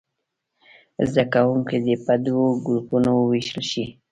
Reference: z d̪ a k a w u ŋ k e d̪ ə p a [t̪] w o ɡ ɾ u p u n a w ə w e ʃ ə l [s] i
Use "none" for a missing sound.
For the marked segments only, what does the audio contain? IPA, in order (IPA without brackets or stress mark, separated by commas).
d̪, ʃ